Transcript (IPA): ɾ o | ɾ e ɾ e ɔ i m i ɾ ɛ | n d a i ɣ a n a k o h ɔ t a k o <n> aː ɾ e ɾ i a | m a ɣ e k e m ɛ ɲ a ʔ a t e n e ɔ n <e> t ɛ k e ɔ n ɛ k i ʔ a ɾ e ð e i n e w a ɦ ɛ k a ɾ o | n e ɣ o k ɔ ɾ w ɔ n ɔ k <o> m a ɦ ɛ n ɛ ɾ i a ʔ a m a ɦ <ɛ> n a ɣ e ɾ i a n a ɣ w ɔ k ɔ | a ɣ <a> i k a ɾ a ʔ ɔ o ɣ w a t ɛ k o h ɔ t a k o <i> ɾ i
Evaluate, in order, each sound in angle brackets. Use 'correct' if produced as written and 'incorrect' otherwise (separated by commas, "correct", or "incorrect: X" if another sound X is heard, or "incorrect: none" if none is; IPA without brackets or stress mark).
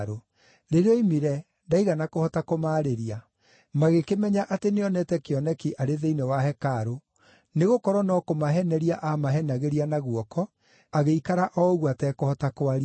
incorrect: m, incorrect: ɛ, correct, correct, incorrect: e, incorrect: a